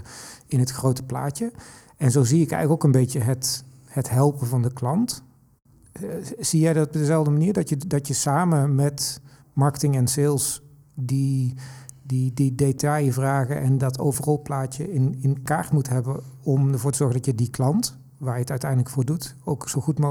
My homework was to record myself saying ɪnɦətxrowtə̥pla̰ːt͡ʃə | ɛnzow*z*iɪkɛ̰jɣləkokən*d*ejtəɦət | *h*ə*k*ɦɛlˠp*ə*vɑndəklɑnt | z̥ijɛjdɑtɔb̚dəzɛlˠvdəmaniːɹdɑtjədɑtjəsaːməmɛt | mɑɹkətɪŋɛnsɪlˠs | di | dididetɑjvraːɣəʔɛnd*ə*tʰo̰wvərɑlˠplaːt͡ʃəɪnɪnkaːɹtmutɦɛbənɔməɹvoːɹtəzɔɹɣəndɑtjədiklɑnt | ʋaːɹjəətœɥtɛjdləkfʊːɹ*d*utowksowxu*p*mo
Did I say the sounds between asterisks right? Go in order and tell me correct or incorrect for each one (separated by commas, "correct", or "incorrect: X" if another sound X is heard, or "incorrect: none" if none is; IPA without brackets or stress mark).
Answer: correct, incorrect: b, correct, incorrect: t, correct, incorrect: ɑ, correct, incorrect: t